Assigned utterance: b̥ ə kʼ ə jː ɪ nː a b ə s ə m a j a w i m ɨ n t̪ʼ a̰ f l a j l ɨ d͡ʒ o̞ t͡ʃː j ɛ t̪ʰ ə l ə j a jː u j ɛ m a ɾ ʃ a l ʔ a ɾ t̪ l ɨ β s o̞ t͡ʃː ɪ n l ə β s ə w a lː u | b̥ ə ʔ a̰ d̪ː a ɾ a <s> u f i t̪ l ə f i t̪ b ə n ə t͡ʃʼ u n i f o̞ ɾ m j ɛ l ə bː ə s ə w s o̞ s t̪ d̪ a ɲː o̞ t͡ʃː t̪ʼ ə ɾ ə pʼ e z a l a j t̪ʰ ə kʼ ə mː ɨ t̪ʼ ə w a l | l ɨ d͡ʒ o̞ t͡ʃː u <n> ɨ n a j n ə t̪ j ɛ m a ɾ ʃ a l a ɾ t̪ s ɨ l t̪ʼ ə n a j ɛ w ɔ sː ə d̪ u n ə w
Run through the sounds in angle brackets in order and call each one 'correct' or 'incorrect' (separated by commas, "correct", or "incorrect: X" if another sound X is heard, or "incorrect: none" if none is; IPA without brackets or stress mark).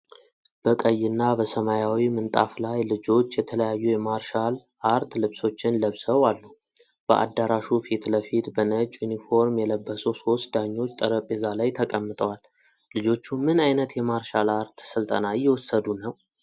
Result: incorrect: ʃ, incorrect: m